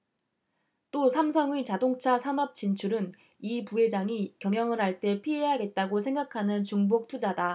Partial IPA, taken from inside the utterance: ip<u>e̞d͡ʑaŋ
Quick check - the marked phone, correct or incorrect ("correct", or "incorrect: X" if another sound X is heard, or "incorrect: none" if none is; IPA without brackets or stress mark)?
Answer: correct